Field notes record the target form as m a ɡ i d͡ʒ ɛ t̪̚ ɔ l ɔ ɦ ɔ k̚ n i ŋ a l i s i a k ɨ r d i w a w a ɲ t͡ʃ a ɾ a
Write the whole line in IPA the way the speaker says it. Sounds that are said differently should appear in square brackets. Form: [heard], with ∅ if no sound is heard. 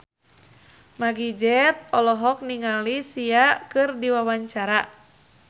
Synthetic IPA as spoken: m a ɡ i d͡ʒ ɛ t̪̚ ɔ l ɔ ɦ ɔ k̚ n i ŋ a l i s i a k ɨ r d i w a w a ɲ t͡ʃ a ɾ a